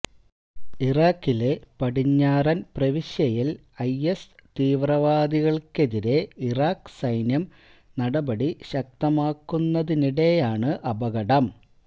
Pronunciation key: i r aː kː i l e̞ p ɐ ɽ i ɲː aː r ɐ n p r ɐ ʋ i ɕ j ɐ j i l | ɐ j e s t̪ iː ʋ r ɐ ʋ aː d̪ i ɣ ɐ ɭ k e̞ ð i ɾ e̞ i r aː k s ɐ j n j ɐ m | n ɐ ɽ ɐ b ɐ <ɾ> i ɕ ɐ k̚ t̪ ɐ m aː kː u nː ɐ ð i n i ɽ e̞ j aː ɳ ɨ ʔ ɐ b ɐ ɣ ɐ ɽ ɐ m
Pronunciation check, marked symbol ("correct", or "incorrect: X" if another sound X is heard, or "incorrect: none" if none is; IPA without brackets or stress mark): incorrect: ɽ